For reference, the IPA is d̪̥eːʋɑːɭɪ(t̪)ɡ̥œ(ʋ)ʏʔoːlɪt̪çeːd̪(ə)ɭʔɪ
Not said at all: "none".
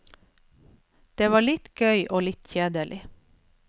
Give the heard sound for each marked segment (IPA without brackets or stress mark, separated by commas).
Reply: t̪, none, ə